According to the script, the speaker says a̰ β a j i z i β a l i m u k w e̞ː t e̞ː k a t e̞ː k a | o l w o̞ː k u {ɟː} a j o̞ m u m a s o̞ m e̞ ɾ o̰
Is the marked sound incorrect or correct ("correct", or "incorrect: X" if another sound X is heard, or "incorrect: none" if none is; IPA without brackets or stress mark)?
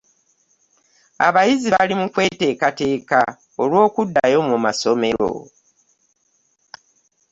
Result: incorrect: dː